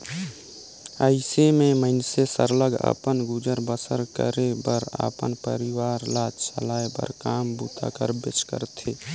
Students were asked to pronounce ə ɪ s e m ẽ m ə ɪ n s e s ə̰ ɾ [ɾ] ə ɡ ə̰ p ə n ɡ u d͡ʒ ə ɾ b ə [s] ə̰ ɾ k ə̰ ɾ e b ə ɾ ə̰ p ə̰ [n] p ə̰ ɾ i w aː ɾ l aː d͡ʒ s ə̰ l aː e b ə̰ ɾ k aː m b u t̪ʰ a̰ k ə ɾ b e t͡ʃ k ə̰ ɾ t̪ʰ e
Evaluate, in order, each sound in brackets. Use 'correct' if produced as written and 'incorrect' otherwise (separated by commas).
incorrect, correct, correct